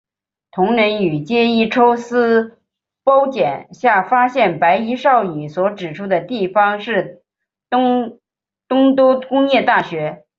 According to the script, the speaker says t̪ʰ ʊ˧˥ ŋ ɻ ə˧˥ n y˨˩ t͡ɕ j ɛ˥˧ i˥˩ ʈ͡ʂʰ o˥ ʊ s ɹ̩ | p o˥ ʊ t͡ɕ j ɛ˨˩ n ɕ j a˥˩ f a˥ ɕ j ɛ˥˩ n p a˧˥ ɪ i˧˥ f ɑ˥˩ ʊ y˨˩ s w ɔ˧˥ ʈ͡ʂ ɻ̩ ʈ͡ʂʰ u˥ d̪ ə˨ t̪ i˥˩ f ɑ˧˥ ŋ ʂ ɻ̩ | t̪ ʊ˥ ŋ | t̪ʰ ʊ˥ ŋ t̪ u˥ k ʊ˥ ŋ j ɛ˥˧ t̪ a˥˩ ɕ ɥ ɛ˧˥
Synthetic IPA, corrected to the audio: t̪ʰ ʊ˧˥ ŋ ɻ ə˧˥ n y˨˩ t͡ɕ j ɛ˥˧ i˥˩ ʈ͡ʂʰ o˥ ʊ s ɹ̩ | p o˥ ʊ t͡ɕ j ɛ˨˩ n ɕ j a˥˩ f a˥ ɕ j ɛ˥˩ n p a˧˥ ɪ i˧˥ ʂ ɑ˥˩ ʊ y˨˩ s w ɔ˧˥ ʈ͡ʂ ɻ̩ ʈ͡ʂʰ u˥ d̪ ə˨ t̪ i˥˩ f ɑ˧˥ ŋ ʂ ɻ̩ | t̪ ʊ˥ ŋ | t̪ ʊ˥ ŋ t̪ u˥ k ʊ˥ ŋ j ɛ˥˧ t̪ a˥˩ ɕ ɥ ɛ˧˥